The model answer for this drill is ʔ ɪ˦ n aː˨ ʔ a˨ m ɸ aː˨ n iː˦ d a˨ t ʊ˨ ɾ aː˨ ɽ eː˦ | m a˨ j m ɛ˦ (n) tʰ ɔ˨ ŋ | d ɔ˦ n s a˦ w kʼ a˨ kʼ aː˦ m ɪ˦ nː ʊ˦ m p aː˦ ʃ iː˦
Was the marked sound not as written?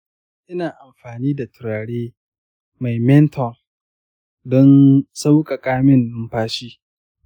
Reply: no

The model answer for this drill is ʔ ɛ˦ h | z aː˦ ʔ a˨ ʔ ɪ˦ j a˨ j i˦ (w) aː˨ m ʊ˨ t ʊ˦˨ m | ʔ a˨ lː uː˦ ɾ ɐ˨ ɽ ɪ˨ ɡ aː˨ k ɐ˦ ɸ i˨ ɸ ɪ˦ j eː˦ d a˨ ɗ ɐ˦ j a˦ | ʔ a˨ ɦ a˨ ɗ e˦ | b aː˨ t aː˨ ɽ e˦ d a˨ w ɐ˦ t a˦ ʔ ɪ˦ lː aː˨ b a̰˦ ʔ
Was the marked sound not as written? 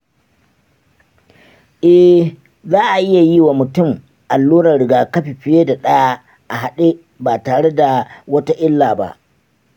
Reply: no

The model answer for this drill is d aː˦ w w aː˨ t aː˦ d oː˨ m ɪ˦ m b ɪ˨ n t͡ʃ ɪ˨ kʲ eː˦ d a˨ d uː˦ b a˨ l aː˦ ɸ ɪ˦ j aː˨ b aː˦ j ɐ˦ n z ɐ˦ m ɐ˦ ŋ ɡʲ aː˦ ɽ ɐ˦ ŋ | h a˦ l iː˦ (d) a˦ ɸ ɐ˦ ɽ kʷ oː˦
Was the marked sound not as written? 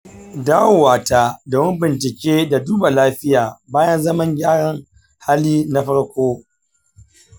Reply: yes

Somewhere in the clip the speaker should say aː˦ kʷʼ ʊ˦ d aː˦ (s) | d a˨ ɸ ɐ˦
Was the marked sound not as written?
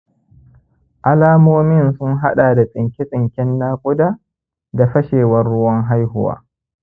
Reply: yes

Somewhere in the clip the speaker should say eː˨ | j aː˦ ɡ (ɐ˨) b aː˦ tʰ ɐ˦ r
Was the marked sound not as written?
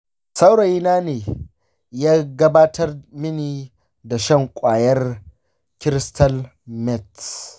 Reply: yes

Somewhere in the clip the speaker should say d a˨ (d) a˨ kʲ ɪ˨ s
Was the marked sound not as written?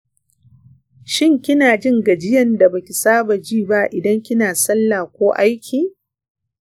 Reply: yes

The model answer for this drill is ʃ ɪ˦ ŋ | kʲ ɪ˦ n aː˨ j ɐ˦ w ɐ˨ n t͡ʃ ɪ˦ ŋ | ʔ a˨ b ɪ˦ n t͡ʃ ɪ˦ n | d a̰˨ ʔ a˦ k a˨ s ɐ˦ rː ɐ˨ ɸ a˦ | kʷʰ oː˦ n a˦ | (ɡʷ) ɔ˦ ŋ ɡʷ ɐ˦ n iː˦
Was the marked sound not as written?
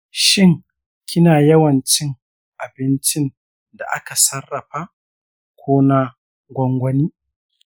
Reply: no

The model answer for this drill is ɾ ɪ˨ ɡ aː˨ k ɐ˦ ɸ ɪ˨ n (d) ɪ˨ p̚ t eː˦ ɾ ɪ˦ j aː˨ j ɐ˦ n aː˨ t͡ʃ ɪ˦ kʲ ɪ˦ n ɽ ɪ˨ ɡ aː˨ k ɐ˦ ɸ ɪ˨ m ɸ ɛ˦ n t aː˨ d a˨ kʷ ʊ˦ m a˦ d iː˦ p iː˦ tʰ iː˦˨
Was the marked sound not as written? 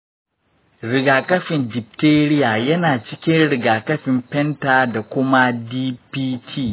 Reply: no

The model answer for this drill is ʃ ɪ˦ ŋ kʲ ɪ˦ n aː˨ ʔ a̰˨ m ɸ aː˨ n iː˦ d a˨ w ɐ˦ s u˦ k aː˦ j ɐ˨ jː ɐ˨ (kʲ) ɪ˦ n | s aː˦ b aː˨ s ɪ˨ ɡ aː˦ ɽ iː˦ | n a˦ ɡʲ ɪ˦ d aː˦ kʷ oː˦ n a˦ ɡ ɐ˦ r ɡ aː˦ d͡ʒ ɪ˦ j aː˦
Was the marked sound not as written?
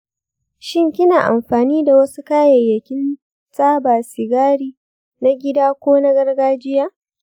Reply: no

